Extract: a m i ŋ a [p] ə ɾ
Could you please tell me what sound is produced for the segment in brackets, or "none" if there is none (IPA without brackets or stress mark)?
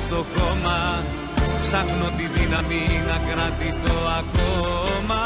k